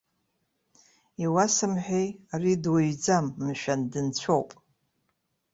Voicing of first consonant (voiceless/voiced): voiced